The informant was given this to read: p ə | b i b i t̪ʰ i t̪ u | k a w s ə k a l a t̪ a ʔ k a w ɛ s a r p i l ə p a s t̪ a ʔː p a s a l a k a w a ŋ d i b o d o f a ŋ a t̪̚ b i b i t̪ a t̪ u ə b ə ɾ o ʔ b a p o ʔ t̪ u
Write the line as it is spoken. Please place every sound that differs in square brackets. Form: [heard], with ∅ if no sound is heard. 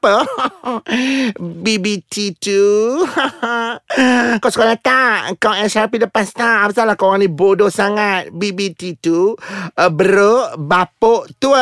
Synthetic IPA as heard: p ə | b i b i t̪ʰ i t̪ u | k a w s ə k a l a t̪ a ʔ k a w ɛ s a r p i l ə p a s t̪ a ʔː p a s a l a k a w a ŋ [n] i b o d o [s] a ŋ a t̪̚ b i b i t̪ [i] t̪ u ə b ə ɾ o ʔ b a p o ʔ t̪ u